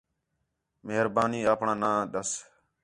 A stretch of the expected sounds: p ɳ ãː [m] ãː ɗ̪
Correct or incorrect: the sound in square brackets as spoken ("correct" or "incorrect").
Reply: incorrect